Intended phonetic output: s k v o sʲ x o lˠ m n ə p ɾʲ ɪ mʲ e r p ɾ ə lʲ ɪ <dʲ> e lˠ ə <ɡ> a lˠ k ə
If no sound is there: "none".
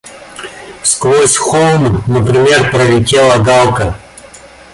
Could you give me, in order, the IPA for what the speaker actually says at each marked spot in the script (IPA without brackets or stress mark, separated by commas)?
tʲ, ɡ